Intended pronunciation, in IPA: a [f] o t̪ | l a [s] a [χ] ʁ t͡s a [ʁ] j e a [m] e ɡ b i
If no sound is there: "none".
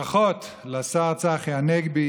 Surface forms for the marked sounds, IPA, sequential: χ, s, none, χ, n

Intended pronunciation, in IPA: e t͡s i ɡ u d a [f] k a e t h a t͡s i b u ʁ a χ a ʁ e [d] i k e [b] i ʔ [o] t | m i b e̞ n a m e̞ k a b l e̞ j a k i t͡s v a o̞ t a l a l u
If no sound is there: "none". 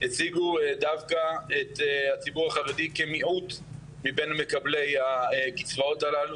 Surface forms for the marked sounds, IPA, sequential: v, d, m, u

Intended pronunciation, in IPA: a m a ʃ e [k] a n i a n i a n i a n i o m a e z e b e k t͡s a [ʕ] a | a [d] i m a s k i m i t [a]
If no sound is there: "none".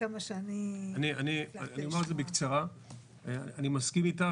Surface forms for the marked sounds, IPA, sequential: none, ʁ, n, a

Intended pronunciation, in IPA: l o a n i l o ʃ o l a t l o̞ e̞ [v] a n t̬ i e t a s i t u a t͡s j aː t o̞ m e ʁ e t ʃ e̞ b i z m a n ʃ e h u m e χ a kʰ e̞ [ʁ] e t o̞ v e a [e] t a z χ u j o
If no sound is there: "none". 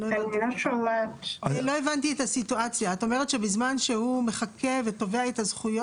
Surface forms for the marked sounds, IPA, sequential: v, v, e

